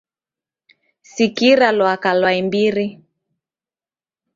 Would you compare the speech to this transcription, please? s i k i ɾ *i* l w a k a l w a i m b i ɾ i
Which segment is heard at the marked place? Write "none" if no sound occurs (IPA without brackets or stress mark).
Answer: a